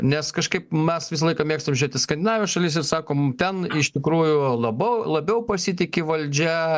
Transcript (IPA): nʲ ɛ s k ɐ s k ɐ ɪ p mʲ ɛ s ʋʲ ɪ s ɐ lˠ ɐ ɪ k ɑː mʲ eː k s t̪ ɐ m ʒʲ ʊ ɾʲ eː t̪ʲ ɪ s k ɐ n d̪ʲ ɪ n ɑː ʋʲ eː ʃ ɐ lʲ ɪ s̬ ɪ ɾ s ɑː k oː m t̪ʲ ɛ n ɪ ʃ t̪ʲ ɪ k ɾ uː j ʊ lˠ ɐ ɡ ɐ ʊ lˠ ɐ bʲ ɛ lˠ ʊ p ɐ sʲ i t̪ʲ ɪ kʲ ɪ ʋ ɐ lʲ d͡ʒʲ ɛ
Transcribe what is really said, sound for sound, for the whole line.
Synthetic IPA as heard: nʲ ɛ s k ɐ ʃ k ɐ ɪ p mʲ ɛ s ʋʲ ɪ s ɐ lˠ ɐ ɪ k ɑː mʲ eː k s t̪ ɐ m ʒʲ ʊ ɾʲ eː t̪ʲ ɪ s k ɐ n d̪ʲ ɪ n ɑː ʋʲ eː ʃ ɐ lʲ ɪ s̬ ɪ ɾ s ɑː k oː m t̪ʲ ɛ n ɪ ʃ t̪ʲ ɪ k ɾ uː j ʊ lˠ ɐ b ɐ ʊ lˠ ɐ bʲ ɛ ʊ p ɐ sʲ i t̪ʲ ɪ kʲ ɪ ʋ ɐ lʲ d͡ʒʲ ɛ